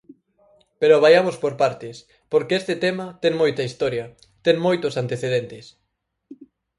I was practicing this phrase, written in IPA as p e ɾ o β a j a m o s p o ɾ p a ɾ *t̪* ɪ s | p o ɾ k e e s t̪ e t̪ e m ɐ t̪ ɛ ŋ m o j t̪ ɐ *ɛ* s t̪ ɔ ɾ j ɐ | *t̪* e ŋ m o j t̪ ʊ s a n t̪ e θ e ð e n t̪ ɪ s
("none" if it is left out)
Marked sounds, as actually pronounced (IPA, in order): t̪, i, t̪

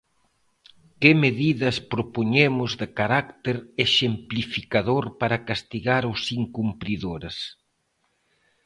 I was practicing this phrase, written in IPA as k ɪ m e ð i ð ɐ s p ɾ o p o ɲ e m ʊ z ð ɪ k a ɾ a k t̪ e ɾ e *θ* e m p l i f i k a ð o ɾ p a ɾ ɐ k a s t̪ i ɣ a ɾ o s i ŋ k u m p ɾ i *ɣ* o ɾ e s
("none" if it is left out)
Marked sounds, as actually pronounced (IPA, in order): ʃ, ð

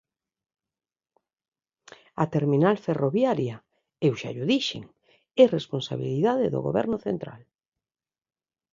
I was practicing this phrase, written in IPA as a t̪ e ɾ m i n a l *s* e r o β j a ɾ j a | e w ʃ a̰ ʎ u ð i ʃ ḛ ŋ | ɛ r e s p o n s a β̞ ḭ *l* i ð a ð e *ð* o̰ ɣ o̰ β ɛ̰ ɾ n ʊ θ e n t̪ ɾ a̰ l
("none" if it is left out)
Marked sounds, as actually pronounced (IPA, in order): f, l, ð

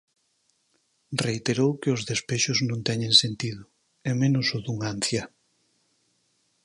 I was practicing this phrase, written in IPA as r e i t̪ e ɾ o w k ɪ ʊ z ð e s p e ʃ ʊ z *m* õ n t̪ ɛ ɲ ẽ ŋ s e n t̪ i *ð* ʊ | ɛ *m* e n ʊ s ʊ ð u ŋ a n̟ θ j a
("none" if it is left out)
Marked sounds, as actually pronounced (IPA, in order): n, ð, m

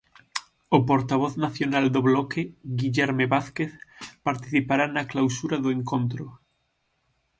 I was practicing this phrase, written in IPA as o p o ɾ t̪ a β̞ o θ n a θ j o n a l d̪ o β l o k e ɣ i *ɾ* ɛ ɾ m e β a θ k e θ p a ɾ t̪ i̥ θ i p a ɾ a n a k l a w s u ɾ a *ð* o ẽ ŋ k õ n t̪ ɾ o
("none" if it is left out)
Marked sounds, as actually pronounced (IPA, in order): ʎ, ð

